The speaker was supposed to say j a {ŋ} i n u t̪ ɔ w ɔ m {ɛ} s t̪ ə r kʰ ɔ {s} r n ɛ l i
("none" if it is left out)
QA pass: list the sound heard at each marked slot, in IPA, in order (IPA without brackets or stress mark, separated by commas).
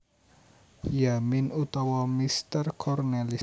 m, i, none